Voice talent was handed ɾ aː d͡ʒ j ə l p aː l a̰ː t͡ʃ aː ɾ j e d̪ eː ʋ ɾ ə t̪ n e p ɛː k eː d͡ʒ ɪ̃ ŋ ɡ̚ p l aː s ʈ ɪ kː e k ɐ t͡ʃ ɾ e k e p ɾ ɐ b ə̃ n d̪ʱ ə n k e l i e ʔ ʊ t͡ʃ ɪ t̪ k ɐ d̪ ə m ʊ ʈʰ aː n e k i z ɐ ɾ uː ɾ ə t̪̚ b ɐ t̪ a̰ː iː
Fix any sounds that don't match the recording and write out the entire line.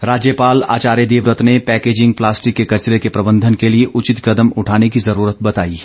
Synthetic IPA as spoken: ɾ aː d͡ʒ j ə p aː l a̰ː t͡ʃ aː ɾ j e d̪ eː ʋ ɾ ə t̪ n e p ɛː k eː d͡ʒ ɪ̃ ŋ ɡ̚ p l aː s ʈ ɪ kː e k ɐ t͡ʃ ɾ e k e p ɾ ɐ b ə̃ n d̪ʱ ə n k e l i e ʔ ʊ t͡ʃ ɪ t̪ k ɐ d̪ ə m ʊ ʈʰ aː n e k i z ɐ ɾ uː ɾ ə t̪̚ b ɐ t̪ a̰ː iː

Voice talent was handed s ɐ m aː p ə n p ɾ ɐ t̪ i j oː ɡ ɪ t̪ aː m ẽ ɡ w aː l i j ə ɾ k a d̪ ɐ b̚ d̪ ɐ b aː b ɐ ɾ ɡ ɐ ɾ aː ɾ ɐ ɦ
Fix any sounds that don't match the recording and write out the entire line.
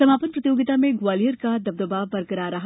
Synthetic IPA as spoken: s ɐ m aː p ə n p ɾ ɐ t̪ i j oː ɡ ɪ t̪ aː m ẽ ɡ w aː l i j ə ɾ k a d̪ ɐ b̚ d̪ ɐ b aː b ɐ ɾ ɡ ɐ ɾ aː ɾ ɐ ɦ

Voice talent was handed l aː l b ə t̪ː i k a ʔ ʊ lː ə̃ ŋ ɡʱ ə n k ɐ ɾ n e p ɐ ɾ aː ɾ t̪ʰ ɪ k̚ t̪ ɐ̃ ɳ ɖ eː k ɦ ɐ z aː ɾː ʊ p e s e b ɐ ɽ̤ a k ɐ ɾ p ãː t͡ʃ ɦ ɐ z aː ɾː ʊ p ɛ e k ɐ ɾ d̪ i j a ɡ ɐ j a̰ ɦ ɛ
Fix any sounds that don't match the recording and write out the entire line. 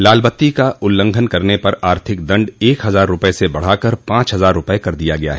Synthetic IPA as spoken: l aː l b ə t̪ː i k a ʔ ʊ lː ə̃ ŋ ɡʱ ə n k ɐ ɾ n e p ɐ ɾ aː ɾ t̪ʰ ɪ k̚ d̪ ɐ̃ ɳ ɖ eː k ɦ ɐ z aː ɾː ʊ p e s e b ɐ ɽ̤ a k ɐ ɾ p ãː t͡ʃ ɦ ɐ z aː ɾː ʊ p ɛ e k ɐ ɾ d̪ i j a ɡ ɐ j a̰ ɦ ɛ

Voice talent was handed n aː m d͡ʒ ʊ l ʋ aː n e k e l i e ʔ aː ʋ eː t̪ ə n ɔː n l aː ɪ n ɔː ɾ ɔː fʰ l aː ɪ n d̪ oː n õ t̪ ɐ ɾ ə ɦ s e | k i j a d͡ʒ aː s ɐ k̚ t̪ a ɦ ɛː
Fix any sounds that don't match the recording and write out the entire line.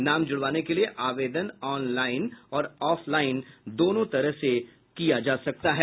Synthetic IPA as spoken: n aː m d͡ʒ ʊ ɽ ʋ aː n e k e l i e ʔ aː ʋ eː d̪ ə n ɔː n l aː ɪ n ɔː ɾ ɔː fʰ l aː ɪ n d̪ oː n õ t̪ ɐ ɾ ə ɦ s e | k i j a d͡ʒ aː s ɐ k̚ t̪ a ɦ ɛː

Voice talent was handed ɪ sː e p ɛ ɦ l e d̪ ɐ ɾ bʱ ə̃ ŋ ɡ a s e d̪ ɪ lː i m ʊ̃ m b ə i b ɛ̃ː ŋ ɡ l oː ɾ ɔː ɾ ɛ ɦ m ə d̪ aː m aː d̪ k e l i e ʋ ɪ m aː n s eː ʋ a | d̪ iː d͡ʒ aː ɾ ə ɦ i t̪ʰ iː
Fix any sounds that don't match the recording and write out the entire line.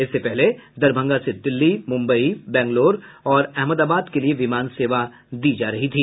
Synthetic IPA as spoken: ɪ sː e p ɛ ɦ l e d̪ ɐ ɾ bʱ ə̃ ŋ ɡ a s e d̪ ɪ lː i m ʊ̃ m b ə i b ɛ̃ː ŋ ɡ l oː ɾ ɔː ɾ ɛ ɦ m ə d̪ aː b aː d̪ k e l i e ʋ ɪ m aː n s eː ʋ a | d̪ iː d͡ʒ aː ɾ ɐ ɦ i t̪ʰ iː

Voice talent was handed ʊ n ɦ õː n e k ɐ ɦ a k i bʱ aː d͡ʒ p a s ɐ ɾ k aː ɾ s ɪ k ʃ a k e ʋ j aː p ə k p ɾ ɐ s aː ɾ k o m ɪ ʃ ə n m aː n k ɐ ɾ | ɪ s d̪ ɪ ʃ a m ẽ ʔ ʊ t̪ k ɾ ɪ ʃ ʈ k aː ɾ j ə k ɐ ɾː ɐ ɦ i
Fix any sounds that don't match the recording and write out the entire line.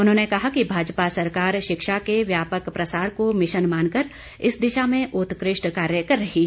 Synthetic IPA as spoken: ʊ n ɦ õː n e k ɐ ɦ a k i bʱ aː d͡ʒ p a s ɐ ɾ k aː ɾ ʃ ɪ k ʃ a k e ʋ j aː p ə k p ɾ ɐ s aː ɾ k o m ɪ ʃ ə n m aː n k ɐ ɾ | ɪ s d̪ ɪ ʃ a m ẽ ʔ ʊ t̪ k ɾ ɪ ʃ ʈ k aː ɾ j ə k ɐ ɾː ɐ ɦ i

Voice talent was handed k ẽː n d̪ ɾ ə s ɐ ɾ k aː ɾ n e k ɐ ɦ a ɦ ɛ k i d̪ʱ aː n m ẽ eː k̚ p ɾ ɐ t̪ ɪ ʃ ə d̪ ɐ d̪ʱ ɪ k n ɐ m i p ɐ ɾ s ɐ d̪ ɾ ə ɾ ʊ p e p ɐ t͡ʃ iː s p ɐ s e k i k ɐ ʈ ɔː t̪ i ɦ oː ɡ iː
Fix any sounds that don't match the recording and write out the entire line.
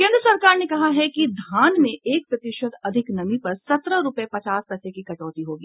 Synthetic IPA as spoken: k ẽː n d̪ ɾ ə s ɐ ɾ k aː ɾ n e k ɐ ɦ a ɦ ɛ k i d̪ʱ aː n m ẽ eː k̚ p ɾ ɐ t̪ ɪ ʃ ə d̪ ɐ d̪ʱ ɪ k n ɐ m i p ɐ ɾ s ɐ t̪ ɾ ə ɾ ʊ p e p ɐ t͡ʃ aː s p ɐ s e k i k ɐ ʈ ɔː t̪ i ɦ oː ɡ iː

